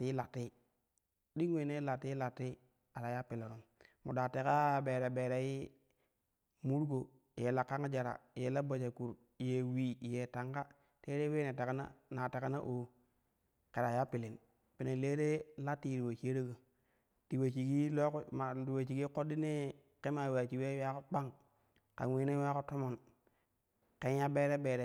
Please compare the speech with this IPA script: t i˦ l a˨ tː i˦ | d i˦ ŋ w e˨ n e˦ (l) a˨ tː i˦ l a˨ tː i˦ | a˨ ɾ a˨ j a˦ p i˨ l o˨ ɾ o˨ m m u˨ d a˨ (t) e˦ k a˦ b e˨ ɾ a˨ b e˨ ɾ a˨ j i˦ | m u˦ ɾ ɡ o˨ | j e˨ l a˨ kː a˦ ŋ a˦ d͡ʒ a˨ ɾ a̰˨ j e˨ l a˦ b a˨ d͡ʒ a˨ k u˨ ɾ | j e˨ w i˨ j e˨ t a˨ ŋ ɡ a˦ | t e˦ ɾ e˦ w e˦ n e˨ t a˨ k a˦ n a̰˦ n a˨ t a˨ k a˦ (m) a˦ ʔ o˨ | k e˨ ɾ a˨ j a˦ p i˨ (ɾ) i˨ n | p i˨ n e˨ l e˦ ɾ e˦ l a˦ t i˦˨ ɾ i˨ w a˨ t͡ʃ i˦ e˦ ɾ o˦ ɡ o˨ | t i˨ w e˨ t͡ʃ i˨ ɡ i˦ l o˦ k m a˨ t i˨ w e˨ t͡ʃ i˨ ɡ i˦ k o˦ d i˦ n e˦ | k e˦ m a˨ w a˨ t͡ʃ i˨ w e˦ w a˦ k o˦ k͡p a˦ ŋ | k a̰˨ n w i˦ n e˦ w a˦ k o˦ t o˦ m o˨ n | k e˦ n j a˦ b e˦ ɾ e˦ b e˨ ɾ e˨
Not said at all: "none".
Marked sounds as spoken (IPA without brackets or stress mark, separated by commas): l, t, n, l